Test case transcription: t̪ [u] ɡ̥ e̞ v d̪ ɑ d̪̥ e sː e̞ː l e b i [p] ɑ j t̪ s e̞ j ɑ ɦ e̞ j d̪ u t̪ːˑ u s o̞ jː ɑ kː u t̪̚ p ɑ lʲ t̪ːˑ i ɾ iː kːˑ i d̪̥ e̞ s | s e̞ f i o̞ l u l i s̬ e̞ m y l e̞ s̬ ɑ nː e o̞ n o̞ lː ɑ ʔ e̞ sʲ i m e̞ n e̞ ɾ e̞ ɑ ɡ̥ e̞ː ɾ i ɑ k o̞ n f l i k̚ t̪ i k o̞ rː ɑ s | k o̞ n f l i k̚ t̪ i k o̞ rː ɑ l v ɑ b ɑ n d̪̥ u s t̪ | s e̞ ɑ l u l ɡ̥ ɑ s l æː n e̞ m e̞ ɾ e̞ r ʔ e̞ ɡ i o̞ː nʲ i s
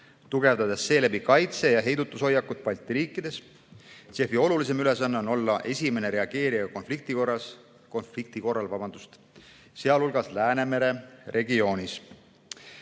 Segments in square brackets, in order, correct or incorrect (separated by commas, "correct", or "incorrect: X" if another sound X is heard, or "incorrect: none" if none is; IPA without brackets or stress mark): correct, incorrect: k